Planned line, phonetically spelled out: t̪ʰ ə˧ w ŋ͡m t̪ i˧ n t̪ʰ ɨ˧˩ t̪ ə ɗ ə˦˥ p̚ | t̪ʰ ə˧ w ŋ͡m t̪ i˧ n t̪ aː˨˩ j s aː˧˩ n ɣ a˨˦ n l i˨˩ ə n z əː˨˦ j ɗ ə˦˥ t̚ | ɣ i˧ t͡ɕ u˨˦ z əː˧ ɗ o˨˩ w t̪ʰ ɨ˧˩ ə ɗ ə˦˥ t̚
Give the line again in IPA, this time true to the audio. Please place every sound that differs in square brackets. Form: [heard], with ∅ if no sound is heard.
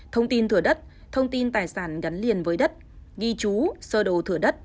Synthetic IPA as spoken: t̪ʰ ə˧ w ŋ͡m t̪ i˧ n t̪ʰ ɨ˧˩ [∅] ə ɗ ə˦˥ [t̚] | t̪ʰ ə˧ w ŋ͡m t̪ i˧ n t̪ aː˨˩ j s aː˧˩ n ɣ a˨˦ n l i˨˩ ə n [v] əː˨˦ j ɗ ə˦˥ t̚ | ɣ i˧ t͡ɕ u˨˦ [s] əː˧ ɗ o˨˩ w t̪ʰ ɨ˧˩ ə ɗ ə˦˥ t̚